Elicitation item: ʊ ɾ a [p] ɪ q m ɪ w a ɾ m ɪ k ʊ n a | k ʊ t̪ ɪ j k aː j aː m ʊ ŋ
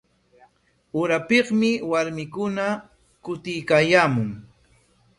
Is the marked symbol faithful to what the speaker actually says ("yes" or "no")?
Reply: yes